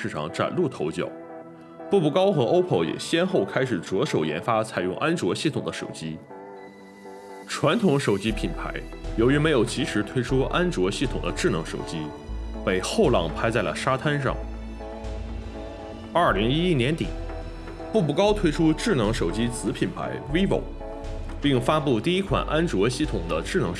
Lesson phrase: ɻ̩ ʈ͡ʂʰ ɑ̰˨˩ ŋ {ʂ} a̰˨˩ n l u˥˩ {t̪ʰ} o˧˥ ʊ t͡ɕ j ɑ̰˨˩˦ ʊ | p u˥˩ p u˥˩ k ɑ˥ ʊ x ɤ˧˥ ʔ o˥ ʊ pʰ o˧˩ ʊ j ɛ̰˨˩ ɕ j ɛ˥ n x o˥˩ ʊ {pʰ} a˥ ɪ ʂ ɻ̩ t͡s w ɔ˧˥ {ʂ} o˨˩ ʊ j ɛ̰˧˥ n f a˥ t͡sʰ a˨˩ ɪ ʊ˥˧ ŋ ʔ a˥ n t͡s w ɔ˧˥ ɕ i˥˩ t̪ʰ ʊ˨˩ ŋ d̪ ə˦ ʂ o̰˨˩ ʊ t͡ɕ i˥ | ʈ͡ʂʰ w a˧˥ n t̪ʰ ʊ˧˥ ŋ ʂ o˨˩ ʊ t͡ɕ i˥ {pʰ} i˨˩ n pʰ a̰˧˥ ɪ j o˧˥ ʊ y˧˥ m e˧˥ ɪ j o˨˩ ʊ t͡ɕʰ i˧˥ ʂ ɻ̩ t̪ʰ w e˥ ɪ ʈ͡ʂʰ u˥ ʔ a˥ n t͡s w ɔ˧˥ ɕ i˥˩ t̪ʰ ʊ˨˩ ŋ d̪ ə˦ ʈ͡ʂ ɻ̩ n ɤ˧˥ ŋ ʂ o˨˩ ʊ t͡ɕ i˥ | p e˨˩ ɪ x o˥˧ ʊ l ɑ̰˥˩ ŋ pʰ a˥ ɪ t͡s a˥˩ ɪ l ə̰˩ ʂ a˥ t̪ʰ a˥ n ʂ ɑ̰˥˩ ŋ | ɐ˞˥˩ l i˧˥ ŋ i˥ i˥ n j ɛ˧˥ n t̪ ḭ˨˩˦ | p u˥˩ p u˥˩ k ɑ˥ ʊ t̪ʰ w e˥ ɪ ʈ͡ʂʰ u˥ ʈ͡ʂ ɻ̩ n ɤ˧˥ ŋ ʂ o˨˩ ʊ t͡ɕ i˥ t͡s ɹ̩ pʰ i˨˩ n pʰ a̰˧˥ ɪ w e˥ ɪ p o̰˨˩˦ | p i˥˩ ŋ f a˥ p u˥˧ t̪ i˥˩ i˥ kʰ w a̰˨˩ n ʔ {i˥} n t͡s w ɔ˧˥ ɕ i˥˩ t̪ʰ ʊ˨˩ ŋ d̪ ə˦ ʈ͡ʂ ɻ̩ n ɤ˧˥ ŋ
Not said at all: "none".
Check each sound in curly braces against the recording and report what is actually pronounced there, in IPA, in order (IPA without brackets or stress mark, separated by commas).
ʈ͡ʂ, t̪ʰ, kʰ, ʂ, pʰ, a˥